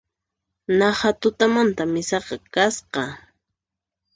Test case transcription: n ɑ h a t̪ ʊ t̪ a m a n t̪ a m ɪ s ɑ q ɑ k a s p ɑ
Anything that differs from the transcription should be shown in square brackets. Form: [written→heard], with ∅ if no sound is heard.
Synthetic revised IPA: n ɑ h a t̪ ʊ t̪ a m a n t̪ a m ɪ s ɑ q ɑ k a s [p→q] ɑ